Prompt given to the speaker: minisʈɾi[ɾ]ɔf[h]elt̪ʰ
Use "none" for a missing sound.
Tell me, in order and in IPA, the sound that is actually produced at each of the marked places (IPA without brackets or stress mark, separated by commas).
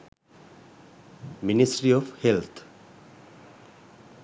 none, h